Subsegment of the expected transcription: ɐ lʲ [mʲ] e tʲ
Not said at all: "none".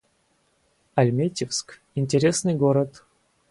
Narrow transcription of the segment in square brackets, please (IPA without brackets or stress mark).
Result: mʲ